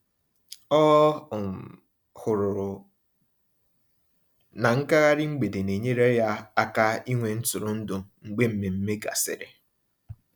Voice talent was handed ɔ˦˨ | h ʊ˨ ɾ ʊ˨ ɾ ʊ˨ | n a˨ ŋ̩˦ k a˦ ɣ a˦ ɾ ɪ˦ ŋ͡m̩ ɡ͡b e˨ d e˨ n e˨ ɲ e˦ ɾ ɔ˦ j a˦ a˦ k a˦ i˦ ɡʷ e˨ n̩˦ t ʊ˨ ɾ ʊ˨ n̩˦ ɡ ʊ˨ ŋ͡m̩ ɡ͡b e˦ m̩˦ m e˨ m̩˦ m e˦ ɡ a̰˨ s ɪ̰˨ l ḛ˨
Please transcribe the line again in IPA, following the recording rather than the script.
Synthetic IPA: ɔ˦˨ | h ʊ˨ ɾ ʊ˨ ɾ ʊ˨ | n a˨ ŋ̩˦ k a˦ ɣ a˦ ɾ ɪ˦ ŋ͡m̩ ɡ͡b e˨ d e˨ n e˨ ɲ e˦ ɾ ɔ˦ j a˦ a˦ k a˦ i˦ ŋʷ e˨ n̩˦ t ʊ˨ ɾ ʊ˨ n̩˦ d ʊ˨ ŋ͡m̩ ɡ͡b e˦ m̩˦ m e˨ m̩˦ m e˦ ɡ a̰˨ s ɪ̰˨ ɾ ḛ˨